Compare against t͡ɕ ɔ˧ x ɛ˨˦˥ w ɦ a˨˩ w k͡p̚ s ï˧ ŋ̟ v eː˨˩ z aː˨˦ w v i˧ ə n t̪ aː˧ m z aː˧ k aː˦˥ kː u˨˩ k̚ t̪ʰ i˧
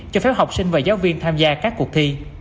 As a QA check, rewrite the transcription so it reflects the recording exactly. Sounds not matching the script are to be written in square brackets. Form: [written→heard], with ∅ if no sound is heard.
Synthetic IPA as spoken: t͡ɕ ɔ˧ [x→f] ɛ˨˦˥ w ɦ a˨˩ w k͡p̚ s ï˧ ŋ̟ v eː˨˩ z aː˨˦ w v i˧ ə n [t̪→t̪ʰ] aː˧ m z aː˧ k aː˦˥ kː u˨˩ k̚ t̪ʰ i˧